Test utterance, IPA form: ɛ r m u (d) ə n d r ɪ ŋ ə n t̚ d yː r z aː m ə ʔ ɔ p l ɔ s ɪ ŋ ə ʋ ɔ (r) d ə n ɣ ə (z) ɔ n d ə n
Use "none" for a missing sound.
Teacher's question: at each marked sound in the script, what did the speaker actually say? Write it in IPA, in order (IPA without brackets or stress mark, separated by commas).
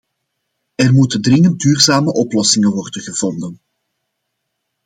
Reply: t, r, v